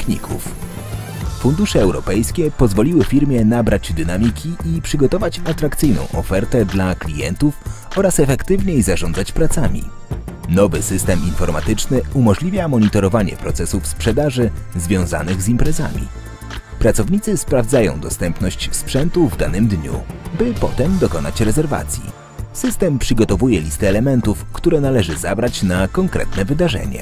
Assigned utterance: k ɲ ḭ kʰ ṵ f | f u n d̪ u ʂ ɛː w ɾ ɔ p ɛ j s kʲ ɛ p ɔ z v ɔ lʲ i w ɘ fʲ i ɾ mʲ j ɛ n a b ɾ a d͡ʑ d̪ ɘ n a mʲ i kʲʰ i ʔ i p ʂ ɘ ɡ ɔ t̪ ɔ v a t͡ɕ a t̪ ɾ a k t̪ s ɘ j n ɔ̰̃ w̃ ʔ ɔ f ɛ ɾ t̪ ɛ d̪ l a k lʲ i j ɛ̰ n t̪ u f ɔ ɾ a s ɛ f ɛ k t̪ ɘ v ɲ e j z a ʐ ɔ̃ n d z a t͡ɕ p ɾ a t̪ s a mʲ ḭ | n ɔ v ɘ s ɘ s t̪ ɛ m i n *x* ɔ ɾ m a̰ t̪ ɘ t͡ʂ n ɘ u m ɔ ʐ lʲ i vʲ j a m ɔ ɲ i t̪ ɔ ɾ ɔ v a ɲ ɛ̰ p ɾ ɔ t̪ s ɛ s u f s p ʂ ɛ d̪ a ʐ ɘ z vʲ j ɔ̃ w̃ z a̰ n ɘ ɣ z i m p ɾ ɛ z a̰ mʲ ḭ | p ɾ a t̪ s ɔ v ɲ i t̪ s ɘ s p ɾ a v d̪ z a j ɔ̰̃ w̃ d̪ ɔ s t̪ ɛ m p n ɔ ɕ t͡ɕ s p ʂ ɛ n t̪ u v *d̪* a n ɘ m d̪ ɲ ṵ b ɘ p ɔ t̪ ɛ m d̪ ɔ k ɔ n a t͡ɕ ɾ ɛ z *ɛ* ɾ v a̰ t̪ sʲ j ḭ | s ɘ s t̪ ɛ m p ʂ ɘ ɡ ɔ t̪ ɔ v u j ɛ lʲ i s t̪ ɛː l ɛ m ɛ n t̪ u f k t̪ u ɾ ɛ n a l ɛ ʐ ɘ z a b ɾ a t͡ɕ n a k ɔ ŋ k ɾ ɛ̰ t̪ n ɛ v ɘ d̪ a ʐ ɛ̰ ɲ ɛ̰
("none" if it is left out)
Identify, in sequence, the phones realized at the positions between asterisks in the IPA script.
f, d̪, ɛ

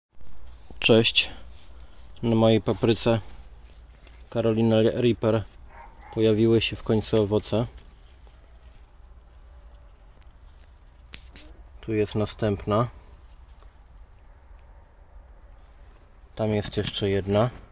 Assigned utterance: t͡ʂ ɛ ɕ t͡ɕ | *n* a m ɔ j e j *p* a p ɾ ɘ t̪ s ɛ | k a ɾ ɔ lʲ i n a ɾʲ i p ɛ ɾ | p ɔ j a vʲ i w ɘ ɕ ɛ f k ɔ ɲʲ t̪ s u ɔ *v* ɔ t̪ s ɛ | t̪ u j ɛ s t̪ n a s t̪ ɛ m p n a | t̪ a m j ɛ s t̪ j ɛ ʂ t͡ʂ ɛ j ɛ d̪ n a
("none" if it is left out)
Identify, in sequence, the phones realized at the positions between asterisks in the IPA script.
n, p, v

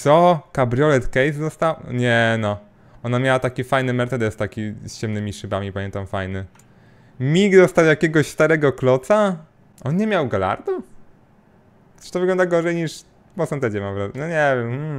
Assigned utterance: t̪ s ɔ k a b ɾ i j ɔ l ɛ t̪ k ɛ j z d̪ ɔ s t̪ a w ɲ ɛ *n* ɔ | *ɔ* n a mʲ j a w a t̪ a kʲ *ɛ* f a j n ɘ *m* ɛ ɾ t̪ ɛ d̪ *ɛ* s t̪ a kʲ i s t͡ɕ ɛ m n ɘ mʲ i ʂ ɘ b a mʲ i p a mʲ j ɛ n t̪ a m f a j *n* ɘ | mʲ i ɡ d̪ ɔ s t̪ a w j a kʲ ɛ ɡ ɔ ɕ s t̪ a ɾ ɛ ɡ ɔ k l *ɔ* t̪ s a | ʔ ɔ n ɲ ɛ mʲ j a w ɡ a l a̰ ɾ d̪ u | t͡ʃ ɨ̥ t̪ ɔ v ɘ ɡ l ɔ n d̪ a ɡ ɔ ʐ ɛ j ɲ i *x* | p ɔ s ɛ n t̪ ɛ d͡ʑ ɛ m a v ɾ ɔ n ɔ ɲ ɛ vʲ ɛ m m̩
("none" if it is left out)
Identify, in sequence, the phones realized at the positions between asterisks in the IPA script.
n, ɔ, i, m, ɛ, n, ɔ, ʂ

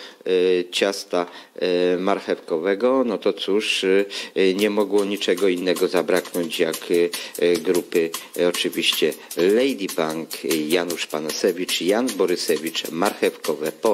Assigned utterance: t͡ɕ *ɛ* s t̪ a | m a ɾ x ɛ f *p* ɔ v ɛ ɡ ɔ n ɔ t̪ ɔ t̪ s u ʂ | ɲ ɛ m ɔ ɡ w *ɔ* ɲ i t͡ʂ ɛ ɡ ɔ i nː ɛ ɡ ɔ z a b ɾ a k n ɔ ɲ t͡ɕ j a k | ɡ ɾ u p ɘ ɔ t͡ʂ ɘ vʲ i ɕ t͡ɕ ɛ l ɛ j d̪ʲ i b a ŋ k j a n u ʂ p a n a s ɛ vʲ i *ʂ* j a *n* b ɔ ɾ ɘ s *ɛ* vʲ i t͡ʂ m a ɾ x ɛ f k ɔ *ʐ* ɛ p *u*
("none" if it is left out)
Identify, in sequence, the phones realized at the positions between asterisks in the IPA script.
a, k, ɔ, t͡ʂ, n, ɛ, v, ɔ

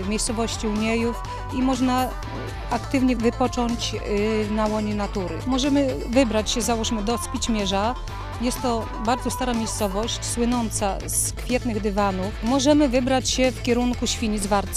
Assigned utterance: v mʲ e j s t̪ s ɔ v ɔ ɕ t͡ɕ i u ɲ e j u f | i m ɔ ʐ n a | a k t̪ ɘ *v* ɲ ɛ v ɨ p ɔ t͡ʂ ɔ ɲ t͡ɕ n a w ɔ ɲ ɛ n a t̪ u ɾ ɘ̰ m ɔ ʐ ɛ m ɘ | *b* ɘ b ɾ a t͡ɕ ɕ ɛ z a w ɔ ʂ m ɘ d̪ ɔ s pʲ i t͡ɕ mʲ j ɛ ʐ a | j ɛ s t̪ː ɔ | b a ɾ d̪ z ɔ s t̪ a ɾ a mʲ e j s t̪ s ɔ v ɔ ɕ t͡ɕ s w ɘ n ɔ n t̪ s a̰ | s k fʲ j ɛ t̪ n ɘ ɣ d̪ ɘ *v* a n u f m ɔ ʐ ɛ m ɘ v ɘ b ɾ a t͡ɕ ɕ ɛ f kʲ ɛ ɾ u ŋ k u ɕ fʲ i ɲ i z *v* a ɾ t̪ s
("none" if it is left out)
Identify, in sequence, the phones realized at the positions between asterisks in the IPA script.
v, v, v, v

